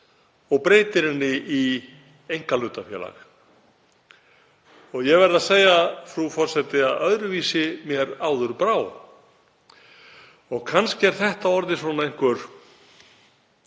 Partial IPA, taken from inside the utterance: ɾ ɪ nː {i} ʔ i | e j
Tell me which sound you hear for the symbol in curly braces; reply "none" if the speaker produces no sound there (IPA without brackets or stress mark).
ɪ